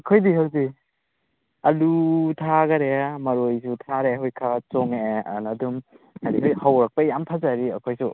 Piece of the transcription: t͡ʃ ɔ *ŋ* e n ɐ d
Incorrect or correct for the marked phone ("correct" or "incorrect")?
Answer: correct